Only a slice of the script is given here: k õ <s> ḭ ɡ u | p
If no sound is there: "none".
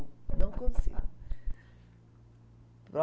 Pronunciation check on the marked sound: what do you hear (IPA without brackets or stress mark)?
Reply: s